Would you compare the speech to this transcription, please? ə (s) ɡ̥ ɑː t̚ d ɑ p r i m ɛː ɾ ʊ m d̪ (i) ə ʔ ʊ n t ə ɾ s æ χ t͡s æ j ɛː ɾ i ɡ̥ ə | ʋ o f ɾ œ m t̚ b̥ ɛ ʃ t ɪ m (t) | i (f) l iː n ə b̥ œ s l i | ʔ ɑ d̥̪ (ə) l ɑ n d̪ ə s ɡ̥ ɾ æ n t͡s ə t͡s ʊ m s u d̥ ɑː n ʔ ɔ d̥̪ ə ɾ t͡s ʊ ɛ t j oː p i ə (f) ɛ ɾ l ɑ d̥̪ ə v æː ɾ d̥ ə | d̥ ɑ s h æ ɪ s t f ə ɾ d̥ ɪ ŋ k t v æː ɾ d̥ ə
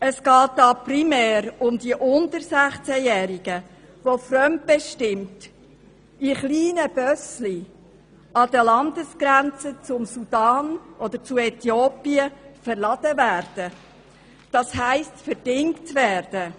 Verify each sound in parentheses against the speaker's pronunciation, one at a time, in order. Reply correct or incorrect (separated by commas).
correct, correct, correct, incorrect, correct, correct